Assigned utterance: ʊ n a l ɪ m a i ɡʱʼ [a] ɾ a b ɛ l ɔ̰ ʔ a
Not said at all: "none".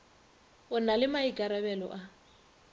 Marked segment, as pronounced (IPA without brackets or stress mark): a